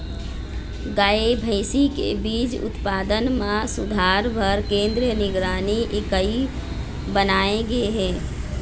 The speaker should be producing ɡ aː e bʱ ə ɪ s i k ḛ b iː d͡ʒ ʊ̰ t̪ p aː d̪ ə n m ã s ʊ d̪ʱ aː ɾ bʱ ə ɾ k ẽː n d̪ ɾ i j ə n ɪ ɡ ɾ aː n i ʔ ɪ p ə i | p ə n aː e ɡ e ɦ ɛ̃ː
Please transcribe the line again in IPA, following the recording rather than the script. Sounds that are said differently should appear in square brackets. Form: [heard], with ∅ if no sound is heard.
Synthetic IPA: ɡ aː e bʱ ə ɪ s i k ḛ b iː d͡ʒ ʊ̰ t̪ p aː d̪ ə n m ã s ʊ d̪ʱ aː ɾ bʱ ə ɾ k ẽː n d̪ ɾ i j ə n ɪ ɡ ɾ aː n i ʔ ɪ [k] ə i | [b] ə n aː e ɡ e ɦ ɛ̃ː